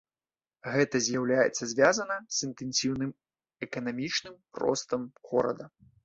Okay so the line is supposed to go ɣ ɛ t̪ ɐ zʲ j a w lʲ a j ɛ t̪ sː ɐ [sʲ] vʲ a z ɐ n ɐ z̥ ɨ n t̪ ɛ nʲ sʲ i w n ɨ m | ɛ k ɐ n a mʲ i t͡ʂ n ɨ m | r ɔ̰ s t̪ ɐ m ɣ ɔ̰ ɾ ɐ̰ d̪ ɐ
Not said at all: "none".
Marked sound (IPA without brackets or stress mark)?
zʲ